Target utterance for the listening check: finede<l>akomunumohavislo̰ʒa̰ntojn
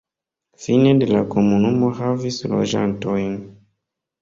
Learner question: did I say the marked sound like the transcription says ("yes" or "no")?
yes